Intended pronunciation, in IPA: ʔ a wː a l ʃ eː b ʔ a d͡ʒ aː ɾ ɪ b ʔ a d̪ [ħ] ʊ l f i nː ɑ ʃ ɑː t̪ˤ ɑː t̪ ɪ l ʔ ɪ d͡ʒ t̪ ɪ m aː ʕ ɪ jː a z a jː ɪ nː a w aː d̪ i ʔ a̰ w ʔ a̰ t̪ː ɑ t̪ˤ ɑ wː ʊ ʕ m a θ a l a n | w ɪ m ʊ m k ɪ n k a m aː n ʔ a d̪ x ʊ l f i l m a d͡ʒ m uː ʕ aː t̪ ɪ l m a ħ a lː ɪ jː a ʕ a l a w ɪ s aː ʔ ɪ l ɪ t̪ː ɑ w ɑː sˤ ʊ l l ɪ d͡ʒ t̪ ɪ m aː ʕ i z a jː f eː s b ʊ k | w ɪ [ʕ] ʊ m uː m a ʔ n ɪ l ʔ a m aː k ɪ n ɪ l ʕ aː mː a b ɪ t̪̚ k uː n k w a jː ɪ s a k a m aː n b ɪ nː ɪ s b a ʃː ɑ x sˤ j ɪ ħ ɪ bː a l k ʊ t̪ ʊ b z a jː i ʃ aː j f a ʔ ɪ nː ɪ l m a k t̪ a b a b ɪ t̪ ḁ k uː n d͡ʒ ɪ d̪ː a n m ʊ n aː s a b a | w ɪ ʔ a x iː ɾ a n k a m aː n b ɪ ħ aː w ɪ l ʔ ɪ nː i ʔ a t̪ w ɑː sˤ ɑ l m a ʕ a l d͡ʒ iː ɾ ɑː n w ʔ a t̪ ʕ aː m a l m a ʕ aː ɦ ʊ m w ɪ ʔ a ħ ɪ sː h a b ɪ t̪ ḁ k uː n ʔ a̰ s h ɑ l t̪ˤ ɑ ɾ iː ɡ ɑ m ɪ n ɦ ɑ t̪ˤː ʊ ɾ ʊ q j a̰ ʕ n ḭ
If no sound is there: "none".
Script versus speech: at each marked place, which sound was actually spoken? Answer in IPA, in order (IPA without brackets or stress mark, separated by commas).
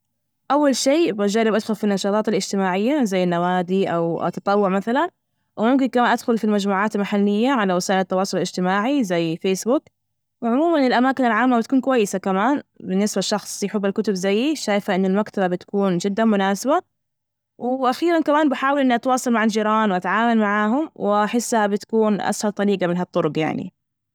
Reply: x, ʕ